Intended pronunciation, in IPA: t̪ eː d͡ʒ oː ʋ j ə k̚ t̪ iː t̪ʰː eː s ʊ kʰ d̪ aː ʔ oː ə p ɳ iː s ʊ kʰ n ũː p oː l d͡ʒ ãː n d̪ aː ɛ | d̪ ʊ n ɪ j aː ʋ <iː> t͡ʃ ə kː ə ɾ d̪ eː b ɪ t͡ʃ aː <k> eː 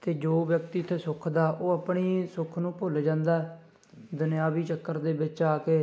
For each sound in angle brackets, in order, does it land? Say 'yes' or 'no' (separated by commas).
yes, yes